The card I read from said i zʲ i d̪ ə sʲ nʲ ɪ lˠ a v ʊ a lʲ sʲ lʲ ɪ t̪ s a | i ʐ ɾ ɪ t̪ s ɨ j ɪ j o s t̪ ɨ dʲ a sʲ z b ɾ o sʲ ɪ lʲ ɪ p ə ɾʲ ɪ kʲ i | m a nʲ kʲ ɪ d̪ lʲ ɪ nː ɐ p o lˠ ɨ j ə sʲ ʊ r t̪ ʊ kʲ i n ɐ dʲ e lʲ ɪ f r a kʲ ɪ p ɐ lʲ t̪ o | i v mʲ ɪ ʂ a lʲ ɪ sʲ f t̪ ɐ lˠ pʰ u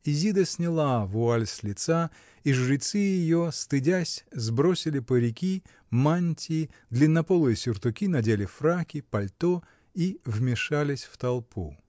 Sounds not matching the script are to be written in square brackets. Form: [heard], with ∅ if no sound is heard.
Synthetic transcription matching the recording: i zʲ i d̪ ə sʲ nʲ ɪ lˠ a v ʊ a lʲ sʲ lʲ ɪ t̪ s a | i ʐ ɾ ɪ t̪ s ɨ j ɪ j o s t̪ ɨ dʲ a sʲ z b ɾ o sʲ ɪ lʲ ɪ p ə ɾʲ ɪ kʲ i | m a nʲ [tʲ] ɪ d̪ lʲ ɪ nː ɐ p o lˠ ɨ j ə sʲ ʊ r t̪ ʊ kʲ i n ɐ dʲ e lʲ ɪ f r a kʲ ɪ p ɐ lʲ t̪ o | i v mʲ ɪ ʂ a lʲ ɪ sʲ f t̪ ɐ lˠ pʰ u